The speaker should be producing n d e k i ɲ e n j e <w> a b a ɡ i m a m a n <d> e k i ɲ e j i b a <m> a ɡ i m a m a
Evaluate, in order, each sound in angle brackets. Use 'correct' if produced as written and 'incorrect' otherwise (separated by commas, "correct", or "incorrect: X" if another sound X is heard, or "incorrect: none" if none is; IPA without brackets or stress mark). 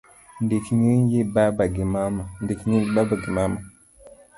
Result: incorrect: b, correct, incorrect: b